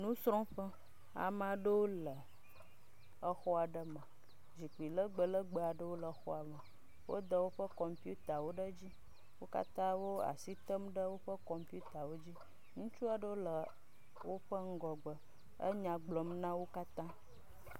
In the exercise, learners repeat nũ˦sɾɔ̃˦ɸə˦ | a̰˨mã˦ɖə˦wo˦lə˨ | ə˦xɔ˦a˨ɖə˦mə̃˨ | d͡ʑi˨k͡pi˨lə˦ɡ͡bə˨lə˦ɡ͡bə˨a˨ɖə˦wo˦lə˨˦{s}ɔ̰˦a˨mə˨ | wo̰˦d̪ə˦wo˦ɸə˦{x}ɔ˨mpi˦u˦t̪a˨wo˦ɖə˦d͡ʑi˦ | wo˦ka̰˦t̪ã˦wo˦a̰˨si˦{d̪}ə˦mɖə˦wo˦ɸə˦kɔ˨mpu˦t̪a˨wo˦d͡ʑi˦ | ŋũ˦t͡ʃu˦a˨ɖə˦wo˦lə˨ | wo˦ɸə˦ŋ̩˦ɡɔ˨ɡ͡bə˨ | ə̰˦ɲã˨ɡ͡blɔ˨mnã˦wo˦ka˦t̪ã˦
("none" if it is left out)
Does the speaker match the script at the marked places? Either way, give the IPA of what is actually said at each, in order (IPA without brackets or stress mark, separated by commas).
x, k, t̪